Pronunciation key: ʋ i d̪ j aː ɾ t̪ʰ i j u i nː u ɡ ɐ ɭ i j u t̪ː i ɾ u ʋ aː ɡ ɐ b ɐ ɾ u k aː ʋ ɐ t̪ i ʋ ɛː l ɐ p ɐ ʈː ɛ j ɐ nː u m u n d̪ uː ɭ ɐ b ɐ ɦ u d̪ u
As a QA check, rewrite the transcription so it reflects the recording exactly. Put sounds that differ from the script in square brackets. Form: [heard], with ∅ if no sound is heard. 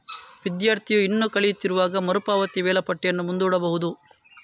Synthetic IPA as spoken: ʋ i d̪ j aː ɾ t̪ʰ i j u i nː u [k] ɐ ɭ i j u t̪ː i ɾ u ʋ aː ɡ ɐ [m] ɐ ɾ u [p] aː ʋ ɐ t̪ i ʋ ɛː l ɐ p ɐ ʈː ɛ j ɐ nː u m u n d̪ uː [ɽ] ɐ b ɐ ɦ u d̪ u